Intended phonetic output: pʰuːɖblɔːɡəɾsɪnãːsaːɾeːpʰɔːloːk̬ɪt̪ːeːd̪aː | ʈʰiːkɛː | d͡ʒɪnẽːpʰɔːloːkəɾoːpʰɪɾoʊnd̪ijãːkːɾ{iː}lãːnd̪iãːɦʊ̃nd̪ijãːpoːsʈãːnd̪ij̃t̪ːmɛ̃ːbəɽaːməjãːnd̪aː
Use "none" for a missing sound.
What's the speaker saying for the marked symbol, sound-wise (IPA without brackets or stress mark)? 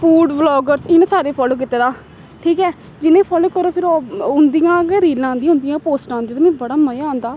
iː